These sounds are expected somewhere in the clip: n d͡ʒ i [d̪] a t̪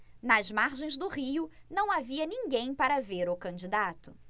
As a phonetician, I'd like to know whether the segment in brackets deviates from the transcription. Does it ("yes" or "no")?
no